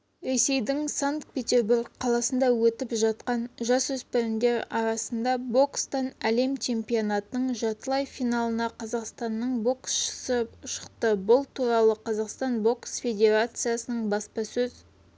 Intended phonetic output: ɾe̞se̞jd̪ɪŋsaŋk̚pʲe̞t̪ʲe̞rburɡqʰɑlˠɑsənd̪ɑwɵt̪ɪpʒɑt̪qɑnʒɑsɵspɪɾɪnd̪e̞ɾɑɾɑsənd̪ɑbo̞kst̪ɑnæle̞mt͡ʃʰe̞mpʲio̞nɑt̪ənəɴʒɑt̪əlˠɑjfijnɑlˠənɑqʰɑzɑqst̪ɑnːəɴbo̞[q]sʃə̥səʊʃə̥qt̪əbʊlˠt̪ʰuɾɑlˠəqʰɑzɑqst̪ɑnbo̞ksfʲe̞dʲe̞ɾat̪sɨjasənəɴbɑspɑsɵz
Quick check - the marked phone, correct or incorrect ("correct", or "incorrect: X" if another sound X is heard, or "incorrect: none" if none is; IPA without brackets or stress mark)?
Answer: incorrect: k